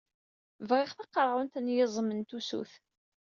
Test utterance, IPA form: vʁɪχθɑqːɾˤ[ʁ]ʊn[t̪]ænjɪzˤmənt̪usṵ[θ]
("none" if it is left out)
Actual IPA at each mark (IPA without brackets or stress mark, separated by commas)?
ʁ, t̪, θ